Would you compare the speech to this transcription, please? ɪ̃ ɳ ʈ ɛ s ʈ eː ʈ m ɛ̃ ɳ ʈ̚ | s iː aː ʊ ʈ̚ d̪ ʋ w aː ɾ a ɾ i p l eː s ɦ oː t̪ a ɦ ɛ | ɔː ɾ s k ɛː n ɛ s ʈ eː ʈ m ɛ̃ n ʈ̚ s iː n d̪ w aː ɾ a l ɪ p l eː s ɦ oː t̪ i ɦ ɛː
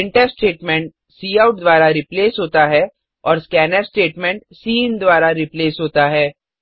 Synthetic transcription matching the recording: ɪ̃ ɳ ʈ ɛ s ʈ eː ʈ m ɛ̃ ɳ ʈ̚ | s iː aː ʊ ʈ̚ d̪ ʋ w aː ɾ a ɾ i p l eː s ɦ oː t̪ a ɦ ɛ | ɔː ɾ s k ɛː n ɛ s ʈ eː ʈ m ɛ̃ ɳ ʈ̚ s iː n d̪ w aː ɾ a ɾ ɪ p l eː s ɦ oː t̪ a ɦ ɛː